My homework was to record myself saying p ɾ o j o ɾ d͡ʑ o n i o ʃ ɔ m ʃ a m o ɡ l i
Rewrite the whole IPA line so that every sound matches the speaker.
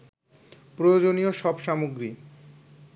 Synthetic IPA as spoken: p ɾ o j o d͡ʑ o n i o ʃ ɔ b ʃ a m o ɡ ɾ i

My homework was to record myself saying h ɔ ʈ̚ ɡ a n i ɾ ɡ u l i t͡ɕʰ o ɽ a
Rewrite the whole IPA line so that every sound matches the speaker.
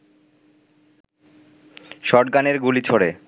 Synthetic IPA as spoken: ʃ ɔ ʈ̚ ɡ a n e ɾ ɡ u l i t͡ɕʰ o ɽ e

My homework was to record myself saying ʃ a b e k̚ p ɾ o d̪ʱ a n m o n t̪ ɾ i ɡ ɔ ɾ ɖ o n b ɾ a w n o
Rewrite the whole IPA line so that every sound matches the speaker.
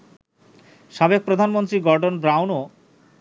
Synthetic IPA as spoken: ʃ a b e k̚ p ɾ o d̪ʱ a n m o n t̪ ɾ i ɡ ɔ ɾ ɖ o n b ɾ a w n o

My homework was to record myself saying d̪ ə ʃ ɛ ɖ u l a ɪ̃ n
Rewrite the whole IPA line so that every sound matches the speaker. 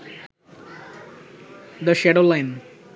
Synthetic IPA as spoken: d̪ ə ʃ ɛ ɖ o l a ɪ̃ n

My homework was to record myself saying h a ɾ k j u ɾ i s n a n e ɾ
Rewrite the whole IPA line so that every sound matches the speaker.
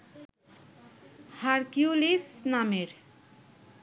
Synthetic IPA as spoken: h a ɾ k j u l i s n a m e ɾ

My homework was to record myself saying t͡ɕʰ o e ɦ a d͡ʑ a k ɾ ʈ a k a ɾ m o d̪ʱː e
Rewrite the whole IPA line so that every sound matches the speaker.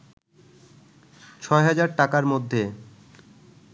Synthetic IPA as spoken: t͡ɕʰ ɔ e ɦ a d͡ʑ a ɾ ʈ a k a ɾ m o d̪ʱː e

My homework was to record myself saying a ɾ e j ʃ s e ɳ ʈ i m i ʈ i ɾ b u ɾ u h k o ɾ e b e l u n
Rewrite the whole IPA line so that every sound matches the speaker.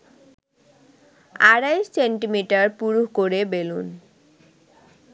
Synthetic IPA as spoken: a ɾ a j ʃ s e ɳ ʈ i m i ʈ a ɾ p u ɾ u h k o ɾ e b e l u n

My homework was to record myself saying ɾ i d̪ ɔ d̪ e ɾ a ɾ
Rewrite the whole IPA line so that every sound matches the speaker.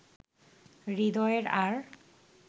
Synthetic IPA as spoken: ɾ i d̪ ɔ e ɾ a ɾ

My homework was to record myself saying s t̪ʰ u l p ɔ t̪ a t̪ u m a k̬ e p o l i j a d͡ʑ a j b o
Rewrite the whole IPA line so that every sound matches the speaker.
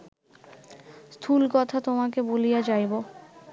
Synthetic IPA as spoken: s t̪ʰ u l k ɔ t̪ʰ a t̪ o m a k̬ e b o l i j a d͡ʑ a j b o

